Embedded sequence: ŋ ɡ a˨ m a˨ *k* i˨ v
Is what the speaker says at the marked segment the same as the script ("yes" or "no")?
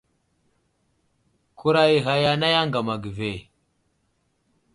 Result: no